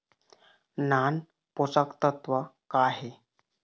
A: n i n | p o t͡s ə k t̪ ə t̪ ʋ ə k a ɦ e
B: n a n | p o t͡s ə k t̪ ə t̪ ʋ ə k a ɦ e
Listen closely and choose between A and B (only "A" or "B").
B